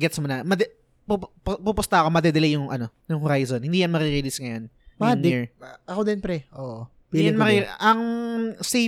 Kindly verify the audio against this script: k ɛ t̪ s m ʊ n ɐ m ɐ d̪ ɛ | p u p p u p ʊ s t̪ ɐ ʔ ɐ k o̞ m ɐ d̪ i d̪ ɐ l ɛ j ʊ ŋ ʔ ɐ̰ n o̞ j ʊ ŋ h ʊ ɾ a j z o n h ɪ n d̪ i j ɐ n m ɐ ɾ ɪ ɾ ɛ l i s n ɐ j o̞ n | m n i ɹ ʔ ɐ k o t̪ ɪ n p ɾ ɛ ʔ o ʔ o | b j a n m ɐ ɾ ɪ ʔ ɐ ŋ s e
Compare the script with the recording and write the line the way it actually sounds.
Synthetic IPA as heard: ɡ ɛ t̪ s m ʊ n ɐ m ɐ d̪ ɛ | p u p p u p ʊ s t̪ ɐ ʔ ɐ k o̞ m ɐ d̪ ɛ d̪ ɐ l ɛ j ʊ ŋ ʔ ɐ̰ n o̞ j ʊ ŋ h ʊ ɾ a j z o n h ɪ n d̪ i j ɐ n m ɐ ɾ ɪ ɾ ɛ l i s ŋ ɐ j o̞ n | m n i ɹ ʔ ɐ k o d̪ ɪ n p ɾ ɛ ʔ o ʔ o | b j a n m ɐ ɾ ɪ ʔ ɐ ŋ s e